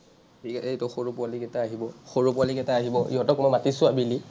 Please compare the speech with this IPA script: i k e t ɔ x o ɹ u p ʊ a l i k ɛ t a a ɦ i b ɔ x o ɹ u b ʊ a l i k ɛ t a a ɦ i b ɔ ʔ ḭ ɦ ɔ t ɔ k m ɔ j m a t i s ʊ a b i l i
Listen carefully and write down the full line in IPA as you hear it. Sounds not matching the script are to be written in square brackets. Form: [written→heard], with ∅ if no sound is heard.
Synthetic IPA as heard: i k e t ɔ x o ɹ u p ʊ a l i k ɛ t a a ɦ i b ɔ x o ɹ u [b→p] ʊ a l i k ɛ t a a ɦ i b ɔ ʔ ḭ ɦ ɔ t ɔ k m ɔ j m a t i s ʊ a b i l i